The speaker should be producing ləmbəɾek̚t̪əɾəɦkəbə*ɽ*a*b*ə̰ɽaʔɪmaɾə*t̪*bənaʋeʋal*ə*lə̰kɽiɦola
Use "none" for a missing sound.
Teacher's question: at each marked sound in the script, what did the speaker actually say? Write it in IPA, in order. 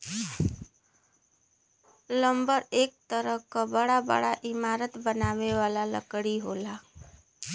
ɽ, b, t̪, a

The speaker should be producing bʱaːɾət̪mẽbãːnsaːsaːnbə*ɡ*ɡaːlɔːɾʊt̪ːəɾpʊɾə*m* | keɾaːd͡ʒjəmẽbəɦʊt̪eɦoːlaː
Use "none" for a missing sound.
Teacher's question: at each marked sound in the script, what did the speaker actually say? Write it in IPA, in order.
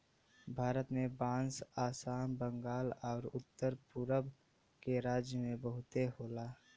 ŋ, b

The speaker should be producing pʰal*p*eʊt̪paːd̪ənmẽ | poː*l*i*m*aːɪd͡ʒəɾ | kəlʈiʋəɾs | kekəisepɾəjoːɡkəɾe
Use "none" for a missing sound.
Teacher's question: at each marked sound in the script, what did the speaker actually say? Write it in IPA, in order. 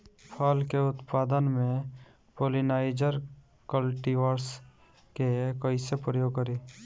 k, l, n

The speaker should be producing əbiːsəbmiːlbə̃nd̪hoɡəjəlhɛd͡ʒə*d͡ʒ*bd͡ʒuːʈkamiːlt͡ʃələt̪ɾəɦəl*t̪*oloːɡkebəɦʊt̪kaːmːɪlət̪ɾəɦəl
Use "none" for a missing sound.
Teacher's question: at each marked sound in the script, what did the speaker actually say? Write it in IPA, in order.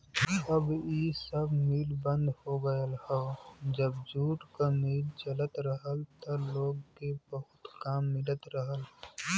none, t̪

